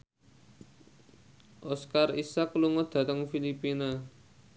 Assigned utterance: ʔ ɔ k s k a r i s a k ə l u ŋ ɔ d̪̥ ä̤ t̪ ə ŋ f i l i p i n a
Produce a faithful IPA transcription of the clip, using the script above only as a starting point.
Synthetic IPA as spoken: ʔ ɔ s k a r i s a k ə l u ŋ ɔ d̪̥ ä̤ t̪ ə ŋ f i l i p i n a